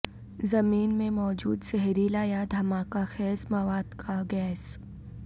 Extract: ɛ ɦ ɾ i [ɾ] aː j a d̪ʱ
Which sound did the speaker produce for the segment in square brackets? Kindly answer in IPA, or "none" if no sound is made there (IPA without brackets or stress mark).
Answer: l